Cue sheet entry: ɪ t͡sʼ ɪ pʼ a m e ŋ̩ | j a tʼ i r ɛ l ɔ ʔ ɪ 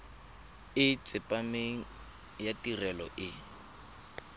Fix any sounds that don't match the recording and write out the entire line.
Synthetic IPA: ɪ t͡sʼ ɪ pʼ a m e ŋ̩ | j a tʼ i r ɛ l ɔ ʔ ɪ